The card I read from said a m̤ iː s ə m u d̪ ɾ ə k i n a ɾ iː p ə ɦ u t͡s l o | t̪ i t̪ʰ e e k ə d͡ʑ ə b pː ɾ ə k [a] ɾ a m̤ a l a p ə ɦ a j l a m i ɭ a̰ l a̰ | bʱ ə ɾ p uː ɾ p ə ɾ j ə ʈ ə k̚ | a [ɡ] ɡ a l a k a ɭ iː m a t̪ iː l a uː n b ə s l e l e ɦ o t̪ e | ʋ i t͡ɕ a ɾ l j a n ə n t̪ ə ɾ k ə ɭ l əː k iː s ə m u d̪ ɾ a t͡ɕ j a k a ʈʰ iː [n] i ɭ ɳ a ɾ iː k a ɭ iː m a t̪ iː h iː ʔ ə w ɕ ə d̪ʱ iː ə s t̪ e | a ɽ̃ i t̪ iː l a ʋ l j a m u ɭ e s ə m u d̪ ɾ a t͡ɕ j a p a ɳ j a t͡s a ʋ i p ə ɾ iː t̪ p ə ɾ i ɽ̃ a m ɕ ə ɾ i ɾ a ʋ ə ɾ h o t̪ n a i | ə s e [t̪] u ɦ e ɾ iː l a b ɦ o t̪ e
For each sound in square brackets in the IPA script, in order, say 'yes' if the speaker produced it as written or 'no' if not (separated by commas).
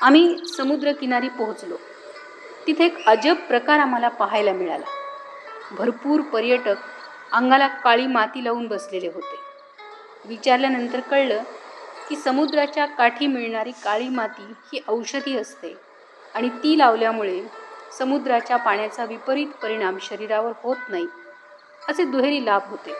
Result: yes, no, no, no